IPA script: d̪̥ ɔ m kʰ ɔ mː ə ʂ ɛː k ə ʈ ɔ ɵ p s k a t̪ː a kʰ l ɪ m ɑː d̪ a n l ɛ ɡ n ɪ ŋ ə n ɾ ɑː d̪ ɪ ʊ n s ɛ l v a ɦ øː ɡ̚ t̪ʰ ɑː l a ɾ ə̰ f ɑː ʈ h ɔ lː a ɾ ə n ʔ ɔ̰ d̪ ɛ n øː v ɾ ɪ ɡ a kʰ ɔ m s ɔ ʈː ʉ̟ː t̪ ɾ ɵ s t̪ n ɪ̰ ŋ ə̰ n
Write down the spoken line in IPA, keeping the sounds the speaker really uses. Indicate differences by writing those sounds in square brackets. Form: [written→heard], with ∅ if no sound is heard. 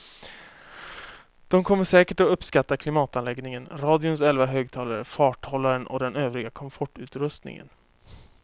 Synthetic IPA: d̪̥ ɔ m kʰ ɔ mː ə ʂ ɛː k ə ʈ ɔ ɵ p s k a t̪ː a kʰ l ɪ m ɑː [d̪→t̪] a n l ɛ ɡ n ɪ ŋ ə n ɾ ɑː d̪ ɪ ʊ n s ɛ l v a ɦ øː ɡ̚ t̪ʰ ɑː l a ɾ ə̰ f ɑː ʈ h ɔ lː a ɾ ə n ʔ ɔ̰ d̪ ɛ n øː v ɾ ɪ ɡ a kʰ ɔ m [s→f] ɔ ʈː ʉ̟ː t̪ ɾ ɵ s t̪ n ɪ̰ ŋ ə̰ n